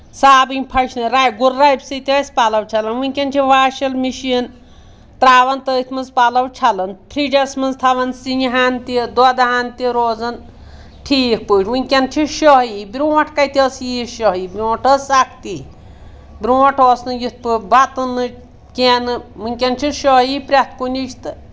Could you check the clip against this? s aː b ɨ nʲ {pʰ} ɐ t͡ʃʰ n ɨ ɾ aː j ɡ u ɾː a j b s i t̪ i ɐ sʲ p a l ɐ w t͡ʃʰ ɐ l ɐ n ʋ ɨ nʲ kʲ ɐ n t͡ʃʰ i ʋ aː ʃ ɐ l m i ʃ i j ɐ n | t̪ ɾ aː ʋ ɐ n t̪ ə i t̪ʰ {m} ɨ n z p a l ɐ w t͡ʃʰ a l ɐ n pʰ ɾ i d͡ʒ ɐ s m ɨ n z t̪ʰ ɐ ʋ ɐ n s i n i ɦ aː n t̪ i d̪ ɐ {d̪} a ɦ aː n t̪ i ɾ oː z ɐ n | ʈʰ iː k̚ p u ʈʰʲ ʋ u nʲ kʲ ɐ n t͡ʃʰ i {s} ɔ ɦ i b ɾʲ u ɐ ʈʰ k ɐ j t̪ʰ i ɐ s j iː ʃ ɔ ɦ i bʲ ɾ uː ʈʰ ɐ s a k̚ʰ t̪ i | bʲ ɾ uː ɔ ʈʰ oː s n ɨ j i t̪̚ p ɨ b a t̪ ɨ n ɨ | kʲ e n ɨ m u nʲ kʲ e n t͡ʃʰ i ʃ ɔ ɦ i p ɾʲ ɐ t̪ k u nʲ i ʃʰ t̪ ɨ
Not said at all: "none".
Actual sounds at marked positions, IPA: pʰ, m, d̪, ʃ

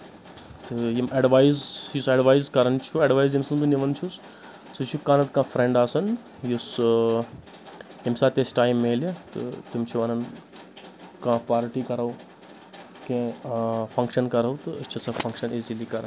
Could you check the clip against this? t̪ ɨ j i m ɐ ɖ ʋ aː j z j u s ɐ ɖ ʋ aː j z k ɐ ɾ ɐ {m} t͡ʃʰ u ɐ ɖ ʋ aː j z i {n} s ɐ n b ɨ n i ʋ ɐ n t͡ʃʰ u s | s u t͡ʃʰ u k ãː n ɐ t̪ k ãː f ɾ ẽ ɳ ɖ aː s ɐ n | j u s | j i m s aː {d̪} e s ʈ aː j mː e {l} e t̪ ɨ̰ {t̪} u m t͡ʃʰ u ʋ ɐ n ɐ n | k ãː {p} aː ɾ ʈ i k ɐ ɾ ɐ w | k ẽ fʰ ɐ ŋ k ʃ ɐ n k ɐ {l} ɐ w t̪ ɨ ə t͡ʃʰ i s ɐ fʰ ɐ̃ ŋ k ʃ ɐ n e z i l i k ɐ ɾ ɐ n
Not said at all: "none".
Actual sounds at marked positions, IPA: n, m, t̪, l, t̪, p, ɾ

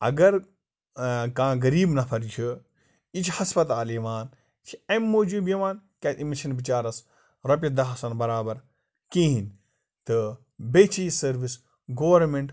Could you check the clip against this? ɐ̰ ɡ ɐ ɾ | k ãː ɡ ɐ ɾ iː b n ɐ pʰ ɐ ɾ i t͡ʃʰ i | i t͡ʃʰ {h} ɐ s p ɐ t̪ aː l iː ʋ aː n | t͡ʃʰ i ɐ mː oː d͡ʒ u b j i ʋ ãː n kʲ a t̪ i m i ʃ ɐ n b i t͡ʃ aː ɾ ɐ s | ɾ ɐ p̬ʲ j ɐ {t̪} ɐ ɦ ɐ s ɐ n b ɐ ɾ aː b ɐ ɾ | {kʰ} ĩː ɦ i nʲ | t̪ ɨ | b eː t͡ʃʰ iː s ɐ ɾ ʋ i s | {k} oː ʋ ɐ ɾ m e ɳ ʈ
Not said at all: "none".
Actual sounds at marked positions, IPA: h, d̪, k, ɡ

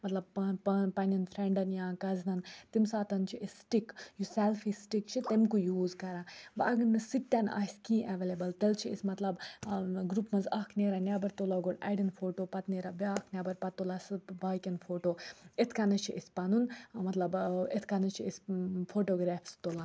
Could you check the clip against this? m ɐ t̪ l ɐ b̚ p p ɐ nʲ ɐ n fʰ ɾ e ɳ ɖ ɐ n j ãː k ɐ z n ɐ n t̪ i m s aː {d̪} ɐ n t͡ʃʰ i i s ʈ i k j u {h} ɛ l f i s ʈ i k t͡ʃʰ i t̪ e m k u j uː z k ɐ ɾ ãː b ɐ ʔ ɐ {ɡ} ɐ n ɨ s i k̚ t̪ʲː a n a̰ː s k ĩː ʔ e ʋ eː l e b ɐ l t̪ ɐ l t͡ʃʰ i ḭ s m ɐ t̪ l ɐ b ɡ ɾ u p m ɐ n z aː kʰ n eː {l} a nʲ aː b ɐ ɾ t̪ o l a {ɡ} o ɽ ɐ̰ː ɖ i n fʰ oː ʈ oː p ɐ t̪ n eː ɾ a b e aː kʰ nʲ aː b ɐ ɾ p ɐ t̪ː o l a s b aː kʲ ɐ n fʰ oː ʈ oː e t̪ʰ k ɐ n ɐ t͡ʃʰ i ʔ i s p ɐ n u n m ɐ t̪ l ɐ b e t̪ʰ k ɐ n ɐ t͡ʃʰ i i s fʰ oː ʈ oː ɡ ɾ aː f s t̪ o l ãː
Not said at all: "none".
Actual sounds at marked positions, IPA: t̪, s, ɡ, ɾ, ɡ

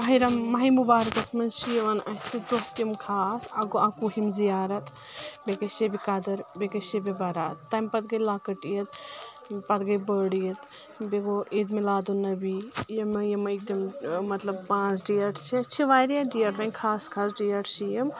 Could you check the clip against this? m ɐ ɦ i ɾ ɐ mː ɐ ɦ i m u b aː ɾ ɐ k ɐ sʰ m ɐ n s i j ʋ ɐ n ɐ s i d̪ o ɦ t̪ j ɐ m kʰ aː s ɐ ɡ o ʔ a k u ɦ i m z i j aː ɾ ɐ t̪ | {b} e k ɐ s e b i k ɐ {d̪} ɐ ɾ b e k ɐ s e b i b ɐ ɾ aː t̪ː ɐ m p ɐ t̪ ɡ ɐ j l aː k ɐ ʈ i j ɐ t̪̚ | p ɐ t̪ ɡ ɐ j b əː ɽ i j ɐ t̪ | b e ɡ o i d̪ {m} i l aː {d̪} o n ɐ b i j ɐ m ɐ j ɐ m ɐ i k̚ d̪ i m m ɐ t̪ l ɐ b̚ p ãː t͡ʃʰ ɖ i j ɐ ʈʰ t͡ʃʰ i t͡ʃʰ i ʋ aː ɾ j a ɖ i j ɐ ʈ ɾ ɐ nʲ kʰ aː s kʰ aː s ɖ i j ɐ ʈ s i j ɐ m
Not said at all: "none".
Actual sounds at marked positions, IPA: b, d̪, m, d̪

